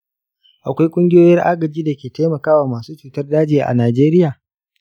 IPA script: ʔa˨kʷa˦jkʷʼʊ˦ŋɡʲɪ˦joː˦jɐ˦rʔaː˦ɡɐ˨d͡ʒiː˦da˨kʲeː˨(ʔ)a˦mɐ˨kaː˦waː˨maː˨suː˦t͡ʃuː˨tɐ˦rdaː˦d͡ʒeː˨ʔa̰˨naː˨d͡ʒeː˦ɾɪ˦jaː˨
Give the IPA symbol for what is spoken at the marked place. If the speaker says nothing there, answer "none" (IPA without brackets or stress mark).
t